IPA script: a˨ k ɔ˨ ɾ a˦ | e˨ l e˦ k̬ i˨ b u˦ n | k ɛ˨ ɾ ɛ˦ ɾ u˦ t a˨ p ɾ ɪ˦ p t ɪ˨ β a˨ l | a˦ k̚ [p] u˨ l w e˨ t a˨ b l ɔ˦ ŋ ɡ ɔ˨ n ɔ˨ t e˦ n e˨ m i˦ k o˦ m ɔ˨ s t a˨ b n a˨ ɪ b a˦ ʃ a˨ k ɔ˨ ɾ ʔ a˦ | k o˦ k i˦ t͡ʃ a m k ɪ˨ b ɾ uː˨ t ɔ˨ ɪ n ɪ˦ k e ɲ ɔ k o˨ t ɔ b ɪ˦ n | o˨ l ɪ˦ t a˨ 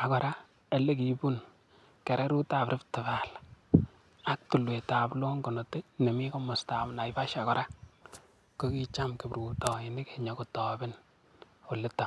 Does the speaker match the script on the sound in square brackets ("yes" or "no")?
no